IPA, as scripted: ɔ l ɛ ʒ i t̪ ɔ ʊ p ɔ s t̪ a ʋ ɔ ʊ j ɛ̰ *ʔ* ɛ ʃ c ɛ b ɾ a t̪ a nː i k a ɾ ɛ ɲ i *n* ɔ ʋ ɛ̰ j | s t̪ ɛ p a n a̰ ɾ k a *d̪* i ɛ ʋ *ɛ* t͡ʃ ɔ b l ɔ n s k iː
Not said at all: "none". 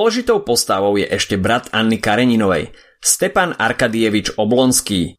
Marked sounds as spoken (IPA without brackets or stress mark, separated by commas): ʔ, n, d̪, i